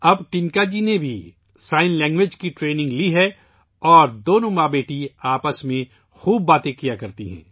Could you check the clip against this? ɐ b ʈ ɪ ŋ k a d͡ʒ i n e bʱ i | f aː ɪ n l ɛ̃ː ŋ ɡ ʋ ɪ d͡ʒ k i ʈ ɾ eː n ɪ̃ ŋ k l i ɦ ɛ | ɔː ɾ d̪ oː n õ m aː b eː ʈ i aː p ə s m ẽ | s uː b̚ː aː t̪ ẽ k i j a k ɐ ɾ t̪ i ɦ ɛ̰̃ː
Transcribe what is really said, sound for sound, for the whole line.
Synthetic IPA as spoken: ɐ b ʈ ɪ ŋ k a d͡ʒ i n e bʱ i | s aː ɪ n l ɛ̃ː ŋ ɡ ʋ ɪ d͡ʒ k i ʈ ɾ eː n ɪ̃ ŋ ɡ l i ɦ ɛ | ɔː ɾ d̪ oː n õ m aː b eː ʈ i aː p ə s m ẽ | x uː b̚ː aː t̪ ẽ k i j a k ɐ ɾ t̪ i ɦ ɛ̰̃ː